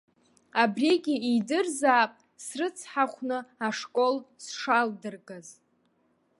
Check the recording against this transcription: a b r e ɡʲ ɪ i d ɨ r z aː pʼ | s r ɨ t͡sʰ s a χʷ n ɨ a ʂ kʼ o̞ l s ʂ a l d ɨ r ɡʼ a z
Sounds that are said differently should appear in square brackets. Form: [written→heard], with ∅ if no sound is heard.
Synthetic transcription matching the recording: a b r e ɡʲ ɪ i d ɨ r z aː pʼ | s r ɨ t͡sʰ [s→ħ] a χʷ n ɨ a ʂ kʼ o̞ l s ʂ a l d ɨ r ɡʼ a z

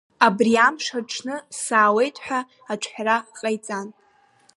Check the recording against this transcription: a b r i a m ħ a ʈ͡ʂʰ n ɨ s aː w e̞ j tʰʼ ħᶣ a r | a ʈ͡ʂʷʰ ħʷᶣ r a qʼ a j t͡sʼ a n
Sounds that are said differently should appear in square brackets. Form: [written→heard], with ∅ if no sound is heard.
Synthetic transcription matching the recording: a b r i a m [ħ→ʂ] a ʈ͡ʂʰ n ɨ s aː w e̞ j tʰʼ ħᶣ a [r→∅] | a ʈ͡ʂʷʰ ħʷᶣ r a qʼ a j t͡sʼ a n

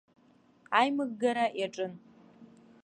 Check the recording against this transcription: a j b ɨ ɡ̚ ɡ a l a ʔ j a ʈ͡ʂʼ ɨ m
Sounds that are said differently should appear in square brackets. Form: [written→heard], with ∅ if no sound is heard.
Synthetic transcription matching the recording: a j [b→m] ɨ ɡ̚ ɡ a [l→ɾ] a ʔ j a ʈ͡ʂʼ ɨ [m→n]

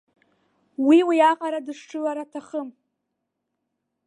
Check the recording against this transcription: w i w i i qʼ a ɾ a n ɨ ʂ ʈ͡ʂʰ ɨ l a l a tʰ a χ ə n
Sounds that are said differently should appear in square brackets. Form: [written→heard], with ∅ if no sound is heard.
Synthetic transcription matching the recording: w i w i [i→a] qʼ a ɾ a [n→d] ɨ ʂ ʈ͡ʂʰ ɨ l a [l→ɾ] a tʰ a χ ə [n→m]

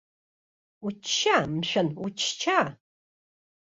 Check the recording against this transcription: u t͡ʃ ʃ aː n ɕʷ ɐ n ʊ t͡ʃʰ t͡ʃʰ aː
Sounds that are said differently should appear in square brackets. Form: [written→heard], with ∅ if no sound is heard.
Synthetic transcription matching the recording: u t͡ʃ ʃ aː [n→m] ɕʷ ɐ n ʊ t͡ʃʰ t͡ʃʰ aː

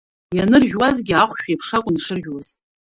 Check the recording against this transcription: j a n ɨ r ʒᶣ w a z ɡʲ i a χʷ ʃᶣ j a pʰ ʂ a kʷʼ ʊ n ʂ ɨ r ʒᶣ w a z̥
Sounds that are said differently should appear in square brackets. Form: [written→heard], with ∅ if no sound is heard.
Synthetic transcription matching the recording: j a n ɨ r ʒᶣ w a z ɡʲ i a χʷ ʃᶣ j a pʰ ʂ a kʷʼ ʊ n ʂ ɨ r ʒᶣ w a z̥

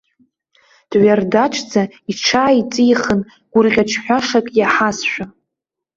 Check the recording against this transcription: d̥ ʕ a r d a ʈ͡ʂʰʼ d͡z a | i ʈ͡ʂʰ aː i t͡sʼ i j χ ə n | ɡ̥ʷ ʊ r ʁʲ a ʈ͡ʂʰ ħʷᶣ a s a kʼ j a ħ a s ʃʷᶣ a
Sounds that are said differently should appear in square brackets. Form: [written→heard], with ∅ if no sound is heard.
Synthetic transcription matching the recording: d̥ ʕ a r d a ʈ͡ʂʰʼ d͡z a | i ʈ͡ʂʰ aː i t͡sʼ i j χ ə n | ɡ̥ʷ ʊ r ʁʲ a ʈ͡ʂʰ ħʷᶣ a [s→ʂ] a kʼ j a ħ a s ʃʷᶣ a

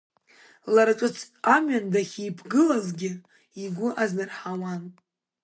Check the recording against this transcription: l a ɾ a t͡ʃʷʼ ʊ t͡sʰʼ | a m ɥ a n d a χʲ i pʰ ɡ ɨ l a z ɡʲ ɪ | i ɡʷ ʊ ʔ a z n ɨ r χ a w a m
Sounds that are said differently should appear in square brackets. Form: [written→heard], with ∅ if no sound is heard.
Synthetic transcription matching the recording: l a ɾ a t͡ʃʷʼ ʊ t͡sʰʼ | a m ɥ a n d a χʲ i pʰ ɡ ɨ l a z ɡʲ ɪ | i ɡʷ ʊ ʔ a z n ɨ r [χ→ħ] a w a [m→n]

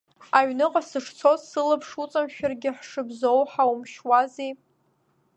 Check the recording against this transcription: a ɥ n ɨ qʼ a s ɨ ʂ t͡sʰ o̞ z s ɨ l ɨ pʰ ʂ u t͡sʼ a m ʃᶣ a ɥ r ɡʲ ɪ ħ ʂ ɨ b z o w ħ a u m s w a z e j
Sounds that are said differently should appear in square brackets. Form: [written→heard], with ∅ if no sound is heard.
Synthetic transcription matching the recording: a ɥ n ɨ qʼ a s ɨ ʂ t͡sʰ o̞ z s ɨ l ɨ pʰ ʂ u t͡sʼ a m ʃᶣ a [ɥ→∅] r ɡʲ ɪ ħ ʂ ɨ b z o w ħ a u m [s→ʃ] w a z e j

